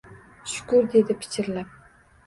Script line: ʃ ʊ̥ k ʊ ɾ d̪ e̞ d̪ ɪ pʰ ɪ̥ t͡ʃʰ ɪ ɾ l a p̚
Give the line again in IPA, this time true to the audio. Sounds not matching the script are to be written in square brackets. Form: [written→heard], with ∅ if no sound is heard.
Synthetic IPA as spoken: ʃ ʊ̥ k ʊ ɾ d̪ e̞ d̪ ɪ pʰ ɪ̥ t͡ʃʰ ɪ ɾ l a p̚